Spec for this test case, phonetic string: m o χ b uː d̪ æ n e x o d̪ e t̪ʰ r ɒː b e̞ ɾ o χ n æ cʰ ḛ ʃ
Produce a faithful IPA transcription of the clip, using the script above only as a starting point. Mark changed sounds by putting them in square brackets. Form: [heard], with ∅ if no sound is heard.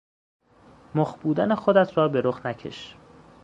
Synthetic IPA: m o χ b uː d̪ æ n e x o d̪ [æ] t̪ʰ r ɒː b e̞ ɾ o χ n æ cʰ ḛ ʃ

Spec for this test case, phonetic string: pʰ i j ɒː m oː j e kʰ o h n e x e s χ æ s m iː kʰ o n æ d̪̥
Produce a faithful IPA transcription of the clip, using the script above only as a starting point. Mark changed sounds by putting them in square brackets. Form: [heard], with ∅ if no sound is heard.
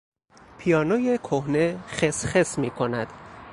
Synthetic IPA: pʰ i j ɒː [n] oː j e kʰ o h n e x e s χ [e] s m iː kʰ o n æ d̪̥

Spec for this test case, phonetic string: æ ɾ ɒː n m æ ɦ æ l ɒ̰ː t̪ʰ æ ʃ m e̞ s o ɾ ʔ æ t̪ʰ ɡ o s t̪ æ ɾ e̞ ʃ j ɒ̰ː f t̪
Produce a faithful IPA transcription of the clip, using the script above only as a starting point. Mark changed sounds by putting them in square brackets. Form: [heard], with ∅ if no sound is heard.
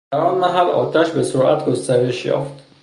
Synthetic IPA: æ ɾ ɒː n m æ ɦ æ l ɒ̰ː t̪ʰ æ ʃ [b] e̞ s o ɾ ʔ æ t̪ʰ ɡ o s t̪ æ ɾ e̞ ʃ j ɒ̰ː f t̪

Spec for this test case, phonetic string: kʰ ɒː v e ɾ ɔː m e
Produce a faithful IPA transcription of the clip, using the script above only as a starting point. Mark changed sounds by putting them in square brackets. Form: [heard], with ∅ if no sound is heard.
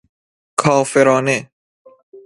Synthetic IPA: kʰ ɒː [f] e ɾ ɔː [n] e

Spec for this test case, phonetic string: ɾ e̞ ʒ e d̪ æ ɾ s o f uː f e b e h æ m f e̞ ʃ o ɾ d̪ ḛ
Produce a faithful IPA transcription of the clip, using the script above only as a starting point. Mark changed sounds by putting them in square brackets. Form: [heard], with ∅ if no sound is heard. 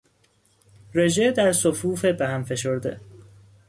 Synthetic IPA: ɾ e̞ ʒ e d̪ æ ɾ s o f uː f e b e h æ m f e̞ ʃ o ɾ d̪ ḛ

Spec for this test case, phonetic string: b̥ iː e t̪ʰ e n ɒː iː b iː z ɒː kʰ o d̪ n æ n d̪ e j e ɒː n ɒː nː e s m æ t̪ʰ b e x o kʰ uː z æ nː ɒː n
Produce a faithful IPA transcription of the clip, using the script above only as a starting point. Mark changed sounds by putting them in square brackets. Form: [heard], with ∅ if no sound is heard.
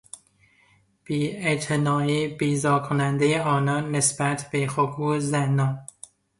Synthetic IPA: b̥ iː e t̪ʰ e n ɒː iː b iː z ɒː kʰ o [∅] n æ n d̪ e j e ɒː n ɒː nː e s [b] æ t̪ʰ b e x o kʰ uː z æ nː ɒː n

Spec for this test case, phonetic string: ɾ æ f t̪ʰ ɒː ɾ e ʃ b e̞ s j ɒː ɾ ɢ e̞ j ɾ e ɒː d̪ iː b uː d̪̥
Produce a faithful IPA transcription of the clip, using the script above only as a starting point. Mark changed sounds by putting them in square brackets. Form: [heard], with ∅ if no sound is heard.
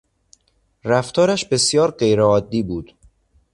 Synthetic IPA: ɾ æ f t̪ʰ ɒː ɾ [æ] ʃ b e̞ s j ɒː ɾ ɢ e̞ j ɾ e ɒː [d̪ː] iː b uː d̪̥

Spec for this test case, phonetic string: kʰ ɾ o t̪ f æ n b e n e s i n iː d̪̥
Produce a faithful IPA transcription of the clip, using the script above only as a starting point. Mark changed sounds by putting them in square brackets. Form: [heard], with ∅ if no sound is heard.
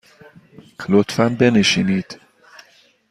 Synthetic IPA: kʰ [l] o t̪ f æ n b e n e [ʃ] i n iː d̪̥

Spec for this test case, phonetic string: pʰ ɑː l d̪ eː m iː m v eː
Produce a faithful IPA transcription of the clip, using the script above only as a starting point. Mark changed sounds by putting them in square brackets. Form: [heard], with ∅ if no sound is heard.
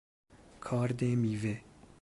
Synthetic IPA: [kʰ] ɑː [ɾ] d̪ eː m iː [∅] v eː

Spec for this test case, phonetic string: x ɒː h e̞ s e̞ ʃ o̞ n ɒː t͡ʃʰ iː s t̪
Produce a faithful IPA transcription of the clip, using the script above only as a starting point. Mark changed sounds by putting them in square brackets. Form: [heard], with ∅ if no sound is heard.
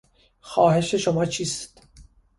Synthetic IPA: x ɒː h e̞ [ʃ] e̞ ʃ o̞ [m] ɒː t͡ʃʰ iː s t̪

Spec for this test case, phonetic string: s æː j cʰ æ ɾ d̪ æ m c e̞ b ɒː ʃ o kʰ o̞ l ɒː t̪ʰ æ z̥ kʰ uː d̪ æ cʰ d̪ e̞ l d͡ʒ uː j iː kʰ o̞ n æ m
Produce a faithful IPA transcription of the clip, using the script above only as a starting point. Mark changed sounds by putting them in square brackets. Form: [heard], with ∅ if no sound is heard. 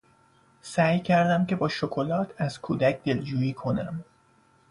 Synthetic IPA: s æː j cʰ æ ɾ d̪ æ m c e̞ b ɒː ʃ o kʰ o̞ l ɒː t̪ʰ æ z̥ kʰ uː d̪ æ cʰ d̪ e̞ l d͡ʒ uː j iː kʰ o̞ n æ m

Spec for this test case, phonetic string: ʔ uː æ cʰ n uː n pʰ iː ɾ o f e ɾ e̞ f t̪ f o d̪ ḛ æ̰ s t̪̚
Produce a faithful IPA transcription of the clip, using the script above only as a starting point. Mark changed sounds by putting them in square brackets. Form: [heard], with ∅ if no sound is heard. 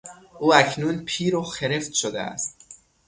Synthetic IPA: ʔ uː æ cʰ n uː n pʰ iː ɾ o [x] e ɾ e̞ f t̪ [ʃ] o d̪ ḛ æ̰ s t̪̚

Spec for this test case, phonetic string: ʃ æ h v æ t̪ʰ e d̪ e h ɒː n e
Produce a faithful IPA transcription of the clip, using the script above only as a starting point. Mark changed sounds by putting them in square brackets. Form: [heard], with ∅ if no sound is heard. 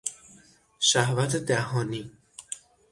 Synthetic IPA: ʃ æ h v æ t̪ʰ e d̪ [æ] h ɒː n [i]

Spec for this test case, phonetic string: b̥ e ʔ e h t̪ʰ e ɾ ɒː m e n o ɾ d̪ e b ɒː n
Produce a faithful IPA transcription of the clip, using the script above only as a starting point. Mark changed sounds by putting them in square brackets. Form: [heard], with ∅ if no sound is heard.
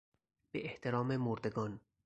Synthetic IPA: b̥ e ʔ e h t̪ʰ e ɾ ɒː m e [m] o ɾ d̪ e [ɡ] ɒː n

